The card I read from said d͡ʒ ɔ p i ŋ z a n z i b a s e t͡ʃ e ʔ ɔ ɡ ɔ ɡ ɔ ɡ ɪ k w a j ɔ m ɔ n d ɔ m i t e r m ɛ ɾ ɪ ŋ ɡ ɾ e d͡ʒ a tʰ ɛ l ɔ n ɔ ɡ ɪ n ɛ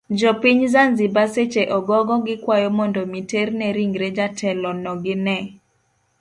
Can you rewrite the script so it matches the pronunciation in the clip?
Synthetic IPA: d͡ʒ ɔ p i ɲ z a n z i b a s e t͡ʃ e ʔ ɔ ɡ ɔ ɡ ɔ ɡ ɪ k w a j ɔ m ɔ n d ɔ m i t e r n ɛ ɾ i ŋ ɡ ɾ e d͡ʒ a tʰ ɛ l ɔ n ɔ ɡ ɪ n ɛ

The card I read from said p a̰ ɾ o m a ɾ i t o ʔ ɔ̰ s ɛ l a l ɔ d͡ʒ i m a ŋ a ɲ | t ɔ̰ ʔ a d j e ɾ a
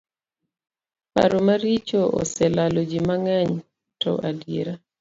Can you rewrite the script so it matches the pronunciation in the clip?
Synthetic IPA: p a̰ ɾ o m a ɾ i t͡ʃ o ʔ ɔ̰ s ɛ l a l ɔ d͡ʒ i m a ŋ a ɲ | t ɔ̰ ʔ a d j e ɾ a

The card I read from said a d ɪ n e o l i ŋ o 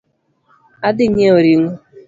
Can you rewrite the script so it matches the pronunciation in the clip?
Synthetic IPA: a d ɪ ɲ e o ɾ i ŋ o

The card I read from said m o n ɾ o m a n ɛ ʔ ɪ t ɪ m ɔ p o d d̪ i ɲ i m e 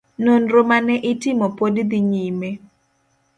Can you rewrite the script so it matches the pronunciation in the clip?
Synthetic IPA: n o n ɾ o m a n ɛ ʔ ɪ t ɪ m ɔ p o d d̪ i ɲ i m e

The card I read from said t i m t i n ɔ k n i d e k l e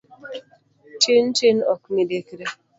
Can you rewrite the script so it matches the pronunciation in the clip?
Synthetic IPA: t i n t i n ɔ k m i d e k ɾ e

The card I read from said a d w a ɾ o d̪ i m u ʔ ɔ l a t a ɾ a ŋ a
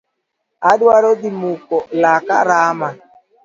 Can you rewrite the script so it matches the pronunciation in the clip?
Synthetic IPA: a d w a ɾ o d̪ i m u k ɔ l a k a ɾ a m a

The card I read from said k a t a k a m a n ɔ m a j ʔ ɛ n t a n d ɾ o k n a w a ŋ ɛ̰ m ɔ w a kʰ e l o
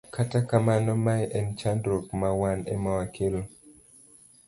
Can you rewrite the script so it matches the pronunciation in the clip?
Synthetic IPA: k a t a k a m a n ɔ m a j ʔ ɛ n t͡ʃ a n d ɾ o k m a w a n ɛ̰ m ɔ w a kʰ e l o

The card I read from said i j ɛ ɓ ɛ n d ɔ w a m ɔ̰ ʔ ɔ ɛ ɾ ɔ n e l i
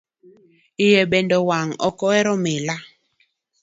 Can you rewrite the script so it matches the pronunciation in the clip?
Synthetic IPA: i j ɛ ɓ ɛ n d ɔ w a ŋ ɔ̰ k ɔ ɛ ɾ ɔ m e l a

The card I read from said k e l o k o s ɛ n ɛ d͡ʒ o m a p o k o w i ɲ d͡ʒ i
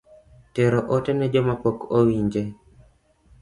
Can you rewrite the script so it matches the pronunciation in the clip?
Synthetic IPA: t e ɾ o ʔ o t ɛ n ɛ d͡ʒ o m a p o k o w i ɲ d͡ʒ e

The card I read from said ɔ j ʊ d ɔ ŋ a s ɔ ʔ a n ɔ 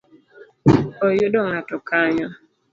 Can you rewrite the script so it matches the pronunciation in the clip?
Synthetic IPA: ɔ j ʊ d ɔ ŋ a t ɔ k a ɲ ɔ

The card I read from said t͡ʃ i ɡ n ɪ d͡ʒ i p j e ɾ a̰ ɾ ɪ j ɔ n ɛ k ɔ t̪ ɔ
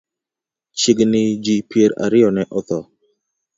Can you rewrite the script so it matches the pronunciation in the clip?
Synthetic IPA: t͡ʃ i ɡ n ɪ d͡ʒ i p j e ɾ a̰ ɾ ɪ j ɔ n ɛ ʔ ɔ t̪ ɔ

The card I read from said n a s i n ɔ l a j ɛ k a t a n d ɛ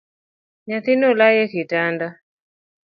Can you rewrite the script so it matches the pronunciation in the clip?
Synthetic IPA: ɲ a θ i n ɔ l a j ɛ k i t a n d a

